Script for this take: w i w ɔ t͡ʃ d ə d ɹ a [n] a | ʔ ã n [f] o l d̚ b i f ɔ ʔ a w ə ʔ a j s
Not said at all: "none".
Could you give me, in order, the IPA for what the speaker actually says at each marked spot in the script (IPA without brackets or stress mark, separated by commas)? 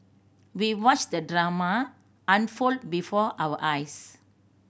m, f